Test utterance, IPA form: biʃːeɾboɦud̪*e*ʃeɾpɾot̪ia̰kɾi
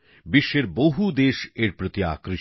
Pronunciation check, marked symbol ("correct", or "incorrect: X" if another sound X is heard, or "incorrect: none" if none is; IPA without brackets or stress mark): correct